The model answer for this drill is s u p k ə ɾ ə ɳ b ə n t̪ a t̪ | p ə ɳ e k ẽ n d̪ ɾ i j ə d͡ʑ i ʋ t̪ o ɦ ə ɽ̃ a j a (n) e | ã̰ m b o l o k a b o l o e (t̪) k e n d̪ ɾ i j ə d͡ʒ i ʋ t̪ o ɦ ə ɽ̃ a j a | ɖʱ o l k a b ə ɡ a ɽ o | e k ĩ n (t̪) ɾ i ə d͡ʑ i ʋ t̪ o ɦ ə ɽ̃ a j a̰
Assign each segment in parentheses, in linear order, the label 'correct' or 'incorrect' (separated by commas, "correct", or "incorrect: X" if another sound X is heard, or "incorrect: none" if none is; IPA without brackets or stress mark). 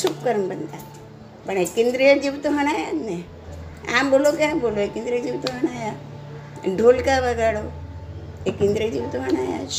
correct, incorrect: none, incorrect: d̪